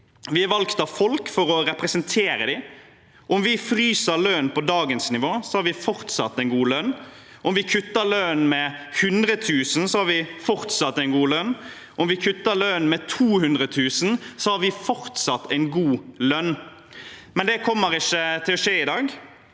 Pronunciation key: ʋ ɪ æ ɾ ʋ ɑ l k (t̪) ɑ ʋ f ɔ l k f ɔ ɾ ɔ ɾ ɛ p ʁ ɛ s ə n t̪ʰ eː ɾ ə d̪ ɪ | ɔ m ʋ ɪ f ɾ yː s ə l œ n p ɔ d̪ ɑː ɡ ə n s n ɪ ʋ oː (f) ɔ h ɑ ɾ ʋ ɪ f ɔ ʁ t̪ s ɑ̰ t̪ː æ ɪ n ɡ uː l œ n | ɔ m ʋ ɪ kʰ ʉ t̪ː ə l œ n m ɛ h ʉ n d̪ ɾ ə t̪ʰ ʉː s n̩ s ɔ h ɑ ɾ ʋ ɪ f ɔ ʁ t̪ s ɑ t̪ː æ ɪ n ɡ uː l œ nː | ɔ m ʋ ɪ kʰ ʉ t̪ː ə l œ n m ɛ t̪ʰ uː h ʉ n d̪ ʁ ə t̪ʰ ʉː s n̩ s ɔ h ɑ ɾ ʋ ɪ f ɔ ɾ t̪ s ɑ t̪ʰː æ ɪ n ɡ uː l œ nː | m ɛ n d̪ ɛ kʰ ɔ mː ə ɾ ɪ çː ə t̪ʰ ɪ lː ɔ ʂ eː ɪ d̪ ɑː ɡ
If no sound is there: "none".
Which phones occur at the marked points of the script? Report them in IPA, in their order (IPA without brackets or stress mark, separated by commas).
t̪, s